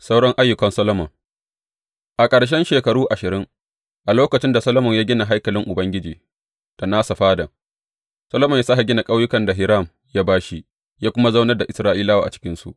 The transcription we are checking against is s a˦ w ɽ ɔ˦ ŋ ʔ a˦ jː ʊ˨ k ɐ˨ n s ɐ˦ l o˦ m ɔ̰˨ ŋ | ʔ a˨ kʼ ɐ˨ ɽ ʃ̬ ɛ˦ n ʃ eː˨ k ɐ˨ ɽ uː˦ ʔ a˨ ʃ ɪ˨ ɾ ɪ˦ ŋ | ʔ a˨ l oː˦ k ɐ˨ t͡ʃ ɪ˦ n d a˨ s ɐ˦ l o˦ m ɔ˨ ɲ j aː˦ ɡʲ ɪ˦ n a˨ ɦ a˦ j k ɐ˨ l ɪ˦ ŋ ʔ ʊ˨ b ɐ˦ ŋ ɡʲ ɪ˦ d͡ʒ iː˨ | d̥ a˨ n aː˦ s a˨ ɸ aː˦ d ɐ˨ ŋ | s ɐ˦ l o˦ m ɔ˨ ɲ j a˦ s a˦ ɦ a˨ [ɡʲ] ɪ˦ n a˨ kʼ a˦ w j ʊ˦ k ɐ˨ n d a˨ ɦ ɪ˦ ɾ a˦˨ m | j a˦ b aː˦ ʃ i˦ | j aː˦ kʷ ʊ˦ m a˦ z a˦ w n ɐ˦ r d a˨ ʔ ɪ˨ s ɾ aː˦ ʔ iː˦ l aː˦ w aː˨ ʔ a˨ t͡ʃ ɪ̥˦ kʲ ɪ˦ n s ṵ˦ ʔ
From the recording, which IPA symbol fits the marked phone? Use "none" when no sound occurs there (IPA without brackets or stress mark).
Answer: ɡʲ